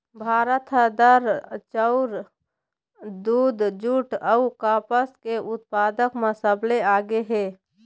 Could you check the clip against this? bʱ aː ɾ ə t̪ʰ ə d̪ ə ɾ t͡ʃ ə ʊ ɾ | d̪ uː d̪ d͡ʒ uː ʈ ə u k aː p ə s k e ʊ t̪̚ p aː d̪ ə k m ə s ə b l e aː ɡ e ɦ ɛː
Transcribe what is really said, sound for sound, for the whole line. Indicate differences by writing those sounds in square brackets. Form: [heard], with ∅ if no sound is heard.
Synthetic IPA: bʱ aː ɾ ə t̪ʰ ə d̪ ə ɾ t͡ʃ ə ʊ ɾ | d̪ uː d̪ d͡ʒ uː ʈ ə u k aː p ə s k e ʊ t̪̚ p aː d̪ ə k m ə s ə b l e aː ɡ e ɦ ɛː